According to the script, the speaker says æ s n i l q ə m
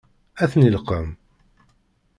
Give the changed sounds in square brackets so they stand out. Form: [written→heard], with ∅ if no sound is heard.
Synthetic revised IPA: æ [s→θ] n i l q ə m

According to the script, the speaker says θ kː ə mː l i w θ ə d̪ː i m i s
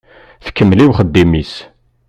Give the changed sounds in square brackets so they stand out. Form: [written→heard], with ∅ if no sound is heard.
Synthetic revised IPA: θ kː ə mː l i w [θ→χ] ə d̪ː i m i s

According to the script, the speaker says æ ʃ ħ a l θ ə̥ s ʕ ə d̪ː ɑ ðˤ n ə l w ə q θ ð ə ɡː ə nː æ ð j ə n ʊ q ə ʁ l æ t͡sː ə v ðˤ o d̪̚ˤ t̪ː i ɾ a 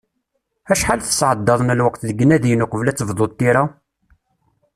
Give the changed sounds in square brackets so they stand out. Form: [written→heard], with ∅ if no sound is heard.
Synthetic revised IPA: æ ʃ ħ a l θ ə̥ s ʕ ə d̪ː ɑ ðˤ n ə l w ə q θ ð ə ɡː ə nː æ ð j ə n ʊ q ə [ʁ→v] l æ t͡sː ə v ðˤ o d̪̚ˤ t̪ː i ɾ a

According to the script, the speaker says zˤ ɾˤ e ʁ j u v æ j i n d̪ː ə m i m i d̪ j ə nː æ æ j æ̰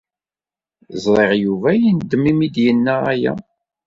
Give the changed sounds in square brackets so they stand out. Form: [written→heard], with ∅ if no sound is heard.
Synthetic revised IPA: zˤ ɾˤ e ʁ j u v æ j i n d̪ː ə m i m i d̪ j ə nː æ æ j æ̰

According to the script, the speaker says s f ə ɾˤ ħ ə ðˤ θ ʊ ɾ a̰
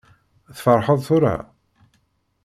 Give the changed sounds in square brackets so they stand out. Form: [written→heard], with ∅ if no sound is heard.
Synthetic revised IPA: [s→θ] f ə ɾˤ ħ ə ðˤ θ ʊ ɾ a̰

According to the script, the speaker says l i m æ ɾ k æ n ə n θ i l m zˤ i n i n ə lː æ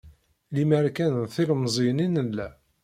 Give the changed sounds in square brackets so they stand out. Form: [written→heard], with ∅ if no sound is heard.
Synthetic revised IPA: l i m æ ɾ k æ n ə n θ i l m zˤ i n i n ə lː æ

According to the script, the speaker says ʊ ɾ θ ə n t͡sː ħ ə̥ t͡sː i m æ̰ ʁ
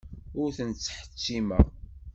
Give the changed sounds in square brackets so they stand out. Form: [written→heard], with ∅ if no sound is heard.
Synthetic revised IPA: ʊ ɾ θ ə n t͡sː ħ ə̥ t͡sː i m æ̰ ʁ

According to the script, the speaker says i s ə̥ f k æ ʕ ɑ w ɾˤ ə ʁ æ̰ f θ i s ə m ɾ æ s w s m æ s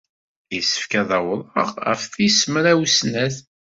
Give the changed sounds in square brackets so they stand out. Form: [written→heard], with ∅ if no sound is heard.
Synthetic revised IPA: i s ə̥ f k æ [ʕ→ð] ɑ w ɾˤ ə ʁ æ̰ f θ i s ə m ɾ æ [s→∅] w s [m→n] æ [s→θ]

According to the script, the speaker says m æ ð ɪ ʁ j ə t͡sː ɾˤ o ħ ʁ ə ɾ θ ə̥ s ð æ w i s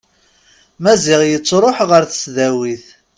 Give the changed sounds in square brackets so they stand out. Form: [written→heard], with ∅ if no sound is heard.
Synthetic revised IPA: m æ [ð→z] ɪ ʁ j ə t͡sː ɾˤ o ħ ʁ ə ɾ θ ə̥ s ð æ w i [s→θ]

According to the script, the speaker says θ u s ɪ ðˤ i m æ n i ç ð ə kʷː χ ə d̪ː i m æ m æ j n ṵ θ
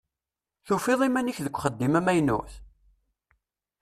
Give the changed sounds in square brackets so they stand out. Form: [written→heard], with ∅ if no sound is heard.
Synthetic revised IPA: θ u [s→f] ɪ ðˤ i m æ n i ç ð ə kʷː χ ə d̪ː i m æ m æ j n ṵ θ

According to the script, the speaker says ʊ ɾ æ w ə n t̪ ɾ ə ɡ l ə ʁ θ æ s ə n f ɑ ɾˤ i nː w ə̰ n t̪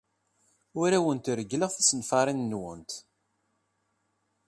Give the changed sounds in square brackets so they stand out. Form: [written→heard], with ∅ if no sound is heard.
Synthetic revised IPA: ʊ ɾ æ w ə n t̪ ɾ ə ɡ l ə ʁ θ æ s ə n f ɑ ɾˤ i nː w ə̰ n t̪

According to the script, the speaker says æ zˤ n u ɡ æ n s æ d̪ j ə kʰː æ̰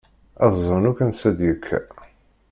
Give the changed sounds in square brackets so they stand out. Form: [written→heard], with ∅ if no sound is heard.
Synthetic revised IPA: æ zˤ n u [ɡ→k] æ n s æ d̪ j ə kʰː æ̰

